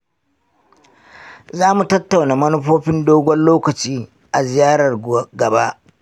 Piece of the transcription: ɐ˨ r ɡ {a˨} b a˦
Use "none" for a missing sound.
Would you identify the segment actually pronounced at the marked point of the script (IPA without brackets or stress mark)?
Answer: ɐ˨